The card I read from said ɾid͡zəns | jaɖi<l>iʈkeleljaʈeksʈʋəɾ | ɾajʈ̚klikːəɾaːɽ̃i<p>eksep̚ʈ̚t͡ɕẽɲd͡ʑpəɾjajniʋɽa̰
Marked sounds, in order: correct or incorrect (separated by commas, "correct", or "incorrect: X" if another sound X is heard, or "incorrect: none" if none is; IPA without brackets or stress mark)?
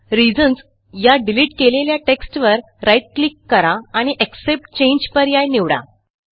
correct, incorrect: ʔ